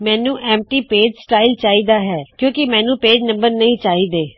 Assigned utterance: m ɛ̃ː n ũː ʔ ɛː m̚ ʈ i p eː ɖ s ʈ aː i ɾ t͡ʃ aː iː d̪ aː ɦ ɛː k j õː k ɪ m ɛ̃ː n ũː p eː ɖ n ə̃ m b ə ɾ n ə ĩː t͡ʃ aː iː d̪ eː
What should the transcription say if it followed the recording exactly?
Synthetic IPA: m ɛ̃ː n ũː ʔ ɛː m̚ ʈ iː p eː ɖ s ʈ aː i l t͡ʃ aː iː d̪ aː ɦ ɛː k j õː k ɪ m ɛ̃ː n ũː p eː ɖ n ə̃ m b ə ɾ n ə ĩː t͡ʃ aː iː d̪ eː